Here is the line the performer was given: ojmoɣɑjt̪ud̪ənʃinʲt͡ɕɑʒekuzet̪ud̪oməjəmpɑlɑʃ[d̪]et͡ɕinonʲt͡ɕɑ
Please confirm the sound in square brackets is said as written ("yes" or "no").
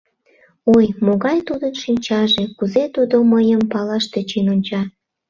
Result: no